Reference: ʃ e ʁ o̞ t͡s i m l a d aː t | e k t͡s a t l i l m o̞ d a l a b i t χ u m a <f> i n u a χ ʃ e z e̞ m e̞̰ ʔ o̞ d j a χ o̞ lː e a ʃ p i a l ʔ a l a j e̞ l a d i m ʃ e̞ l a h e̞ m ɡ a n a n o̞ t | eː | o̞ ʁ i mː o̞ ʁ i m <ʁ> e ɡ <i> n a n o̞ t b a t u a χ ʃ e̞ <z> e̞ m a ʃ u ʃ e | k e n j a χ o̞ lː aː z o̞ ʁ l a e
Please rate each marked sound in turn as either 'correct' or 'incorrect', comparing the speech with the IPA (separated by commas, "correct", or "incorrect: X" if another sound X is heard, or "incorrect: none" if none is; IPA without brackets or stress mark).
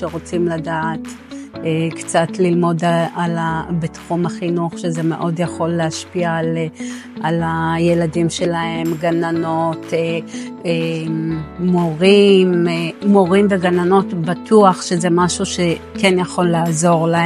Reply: incorrect: χ, incorrect: v, incorrect: a, correct